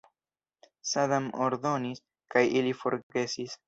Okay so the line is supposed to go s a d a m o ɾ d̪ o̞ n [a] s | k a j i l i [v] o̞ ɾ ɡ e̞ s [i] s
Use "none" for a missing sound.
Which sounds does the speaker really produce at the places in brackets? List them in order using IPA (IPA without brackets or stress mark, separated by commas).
i, f, i